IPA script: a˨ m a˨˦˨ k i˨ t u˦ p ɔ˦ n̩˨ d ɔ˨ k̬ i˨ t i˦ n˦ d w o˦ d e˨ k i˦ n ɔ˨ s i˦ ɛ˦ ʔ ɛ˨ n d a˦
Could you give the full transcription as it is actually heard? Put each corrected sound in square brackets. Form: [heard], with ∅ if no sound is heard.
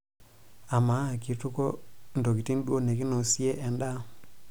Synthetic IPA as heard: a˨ m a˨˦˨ k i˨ t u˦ [k] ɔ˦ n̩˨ d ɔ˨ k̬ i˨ t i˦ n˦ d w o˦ [n] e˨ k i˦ n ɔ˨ s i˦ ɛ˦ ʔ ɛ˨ n d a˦